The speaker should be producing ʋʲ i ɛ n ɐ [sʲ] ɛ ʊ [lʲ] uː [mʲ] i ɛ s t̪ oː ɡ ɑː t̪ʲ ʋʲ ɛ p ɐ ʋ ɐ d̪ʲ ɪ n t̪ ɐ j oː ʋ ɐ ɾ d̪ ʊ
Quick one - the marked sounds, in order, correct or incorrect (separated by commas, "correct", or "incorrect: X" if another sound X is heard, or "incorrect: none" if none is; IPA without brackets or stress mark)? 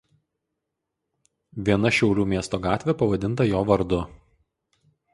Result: incorrect: ʃʲ, incorrect: ɾʲ, correct